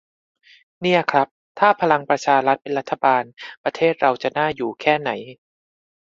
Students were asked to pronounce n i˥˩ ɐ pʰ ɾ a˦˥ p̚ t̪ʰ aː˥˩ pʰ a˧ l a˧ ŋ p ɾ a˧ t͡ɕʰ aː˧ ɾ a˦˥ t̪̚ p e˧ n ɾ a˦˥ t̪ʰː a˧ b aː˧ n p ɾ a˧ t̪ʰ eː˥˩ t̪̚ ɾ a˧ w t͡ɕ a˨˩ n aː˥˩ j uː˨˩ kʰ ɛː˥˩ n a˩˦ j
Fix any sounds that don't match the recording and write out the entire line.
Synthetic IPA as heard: n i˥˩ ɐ kʰ ɾ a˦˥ p̚ t̪ʰ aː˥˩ pʰ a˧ l a˧ ŋ p ɾ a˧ t͡ɕʰ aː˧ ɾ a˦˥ t̪̚ p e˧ n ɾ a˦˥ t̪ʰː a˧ b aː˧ n p ɾ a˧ t̪ʰ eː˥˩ t̪̚ ɾ a˧ w t͡ɕ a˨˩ n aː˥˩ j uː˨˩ kʰ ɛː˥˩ n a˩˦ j